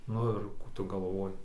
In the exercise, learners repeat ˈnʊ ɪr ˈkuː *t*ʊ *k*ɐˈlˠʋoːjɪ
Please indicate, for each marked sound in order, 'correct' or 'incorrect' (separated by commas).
correct, incorrect